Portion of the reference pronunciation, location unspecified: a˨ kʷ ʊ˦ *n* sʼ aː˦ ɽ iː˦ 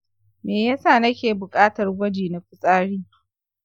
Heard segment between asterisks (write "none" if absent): none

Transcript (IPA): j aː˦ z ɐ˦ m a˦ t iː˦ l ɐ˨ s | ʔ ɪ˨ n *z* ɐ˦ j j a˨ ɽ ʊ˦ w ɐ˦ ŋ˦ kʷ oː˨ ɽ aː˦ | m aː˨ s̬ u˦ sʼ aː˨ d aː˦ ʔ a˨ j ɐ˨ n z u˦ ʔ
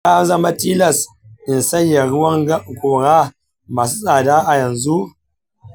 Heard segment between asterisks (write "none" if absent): s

